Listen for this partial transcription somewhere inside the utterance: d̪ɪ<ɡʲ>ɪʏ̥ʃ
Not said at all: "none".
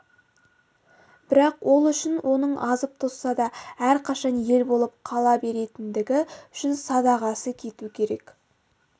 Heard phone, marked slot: ɡʲ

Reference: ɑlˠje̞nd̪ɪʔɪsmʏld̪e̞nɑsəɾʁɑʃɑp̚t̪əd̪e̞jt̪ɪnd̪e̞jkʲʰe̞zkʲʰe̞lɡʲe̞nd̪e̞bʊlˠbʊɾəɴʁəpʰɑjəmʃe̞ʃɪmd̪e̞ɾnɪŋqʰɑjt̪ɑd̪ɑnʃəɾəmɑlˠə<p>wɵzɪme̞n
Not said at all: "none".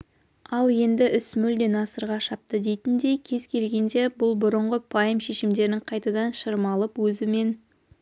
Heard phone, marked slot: p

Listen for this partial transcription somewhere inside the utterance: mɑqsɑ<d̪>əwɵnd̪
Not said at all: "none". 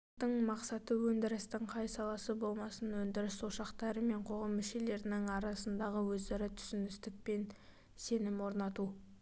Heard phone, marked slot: t̪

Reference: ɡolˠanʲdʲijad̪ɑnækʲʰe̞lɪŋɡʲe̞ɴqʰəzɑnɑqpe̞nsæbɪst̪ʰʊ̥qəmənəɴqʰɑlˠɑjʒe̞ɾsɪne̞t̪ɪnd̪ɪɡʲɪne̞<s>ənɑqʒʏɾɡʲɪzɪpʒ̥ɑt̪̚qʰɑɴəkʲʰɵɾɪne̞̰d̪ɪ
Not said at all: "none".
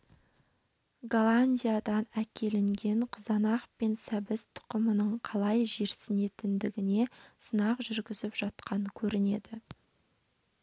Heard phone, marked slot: s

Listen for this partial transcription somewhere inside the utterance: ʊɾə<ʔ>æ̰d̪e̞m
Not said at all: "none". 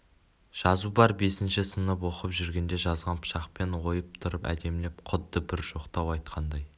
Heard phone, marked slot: p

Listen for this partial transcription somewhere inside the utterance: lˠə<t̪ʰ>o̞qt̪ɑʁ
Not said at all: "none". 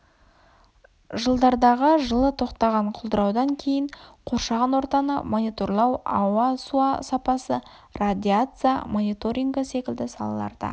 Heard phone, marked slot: t̪ʰ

